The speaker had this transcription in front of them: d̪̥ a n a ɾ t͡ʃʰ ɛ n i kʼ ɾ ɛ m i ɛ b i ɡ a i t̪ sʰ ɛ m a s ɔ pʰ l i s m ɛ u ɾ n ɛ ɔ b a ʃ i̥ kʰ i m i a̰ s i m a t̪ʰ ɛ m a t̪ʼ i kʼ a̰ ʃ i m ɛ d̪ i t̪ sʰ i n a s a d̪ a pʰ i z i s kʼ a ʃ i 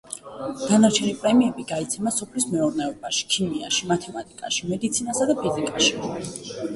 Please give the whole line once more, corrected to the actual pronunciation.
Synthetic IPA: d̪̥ a n a ɾ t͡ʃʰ ɛ n i pʼ ɾ ɛ m i ɛ b i ɡ a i t̪ sʰ ɛ m a s ɔ pʰ l i s m ɛ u ɾ n ɛ ɔ b a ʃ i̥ kʰ i m i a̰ ʃ i m a t̪ʰ ɛ m a t̪ʼ i kʼ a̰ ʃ i m ɛ d̪ i t̪ sʰ i n a s a d̪ a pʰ i z i kʼ a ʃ i